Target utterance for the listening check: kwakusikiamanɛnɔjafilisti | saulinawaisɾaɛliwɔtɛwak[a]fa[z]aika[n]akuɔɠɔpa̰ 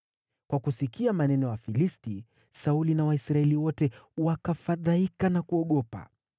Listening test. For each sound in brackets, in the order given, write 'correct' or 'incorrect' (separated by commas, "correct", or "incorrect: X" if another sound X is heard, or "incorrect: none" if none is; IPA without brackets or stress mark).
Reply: correct, incorrect: ð, correct